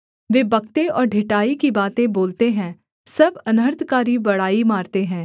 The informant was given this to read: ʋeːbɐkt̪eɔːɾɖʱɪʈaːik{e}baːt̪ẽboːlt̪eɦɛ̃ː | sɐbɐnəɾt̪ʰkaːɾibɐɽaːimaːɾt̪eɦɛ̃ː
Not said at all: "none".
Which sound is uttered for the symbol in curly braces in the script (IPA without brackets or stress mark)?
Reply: i